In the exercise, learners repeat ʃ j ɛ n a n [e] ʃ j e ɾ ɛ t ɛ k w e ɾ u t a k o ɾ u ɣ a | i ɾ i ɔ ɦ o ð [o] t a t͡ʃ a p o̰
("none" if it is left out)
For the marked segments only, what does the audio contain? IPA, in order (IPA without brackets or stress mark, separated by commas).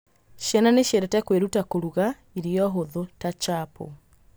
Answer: e, o